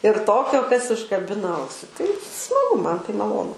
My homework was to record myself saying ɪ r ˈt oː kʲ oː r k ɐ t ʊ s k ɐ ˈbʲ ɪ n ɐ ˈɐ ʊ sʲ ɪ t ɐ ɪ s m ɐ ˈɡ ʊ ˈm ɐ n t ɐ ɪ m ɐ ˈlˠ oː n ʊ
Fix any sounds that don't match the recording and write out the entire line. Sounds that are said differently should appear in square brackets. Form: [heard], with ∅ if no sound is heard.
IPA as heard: ɪ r ˈt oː kʲ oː [∅] k ɐ [s] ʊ [ʃ] k ɐ ˈbʲ ɪ n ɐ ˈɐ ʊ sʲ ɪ t ɐ ɪ s m ɐ ˈɡ ʊ ˈm ɐ n t ɐ ɪ m ɐ ˈlˠ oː n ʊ